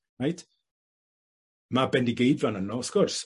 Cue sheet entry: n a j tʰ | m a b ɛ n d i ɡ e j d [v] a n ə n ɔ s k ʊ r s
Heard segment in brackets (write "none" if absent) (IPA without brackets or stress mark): v